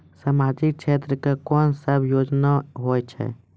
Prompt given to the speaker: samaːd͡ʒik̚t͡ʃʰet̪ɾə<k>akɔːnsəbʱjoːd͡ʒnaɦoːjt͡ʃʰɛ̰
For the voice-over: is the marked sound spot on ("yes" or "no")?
yes